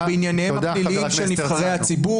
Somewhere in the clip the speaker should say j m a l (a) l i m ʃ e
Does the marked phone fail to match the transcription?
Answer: yes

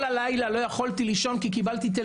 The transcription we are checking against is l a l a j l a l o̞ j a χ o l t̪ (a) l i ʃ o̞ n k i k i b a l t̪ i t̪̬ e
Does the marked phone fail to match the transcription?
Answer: yes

